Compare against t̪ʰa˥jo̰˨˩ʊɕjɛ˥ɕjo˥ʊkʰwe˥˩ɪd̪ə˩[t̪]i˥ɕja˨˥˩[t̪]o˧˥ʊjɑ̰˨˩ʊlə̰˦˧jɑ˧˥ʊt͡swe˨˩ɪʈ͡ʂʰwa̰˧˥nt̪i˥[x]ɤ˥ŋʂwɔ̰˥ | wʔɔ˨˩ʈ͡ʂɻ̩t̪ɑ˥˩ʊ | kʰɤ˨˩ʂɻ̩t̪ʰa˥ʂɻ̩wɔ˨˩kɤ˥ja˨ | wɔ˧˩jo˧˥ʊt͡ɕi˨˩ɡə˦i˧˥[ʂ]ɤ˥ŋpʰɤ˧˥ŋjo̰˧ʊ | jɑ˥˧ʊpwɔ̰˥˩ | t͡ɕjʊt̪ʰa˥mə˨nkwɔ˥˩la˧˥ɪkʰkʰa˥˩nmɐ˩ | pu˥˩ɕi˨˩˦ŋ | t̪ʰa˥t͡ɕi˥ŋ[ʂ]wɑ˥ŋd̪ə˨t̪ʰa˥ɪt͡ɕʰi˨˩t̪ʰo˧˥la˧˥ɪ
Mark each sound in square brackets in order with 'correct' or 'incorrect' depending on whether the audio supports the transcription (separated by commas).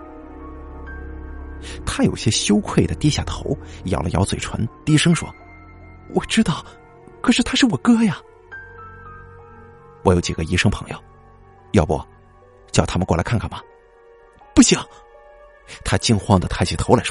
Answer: correct, incorrect, incorrect, correct, incorrect